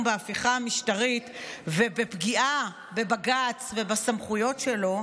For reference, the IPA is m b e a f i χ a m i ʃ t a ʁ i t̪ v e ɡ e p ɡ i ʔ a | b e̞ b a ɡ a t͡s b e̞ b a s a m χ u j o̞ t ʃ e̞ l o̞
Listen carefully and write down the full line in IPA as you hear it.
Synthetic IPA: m b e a f i χ a m i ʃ t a ʁ i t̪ v e b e p ɡ i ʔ a | b e̞ b a ɡ a t͡s v e̞ b a s a m χ u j o̞ t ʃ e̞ l o̞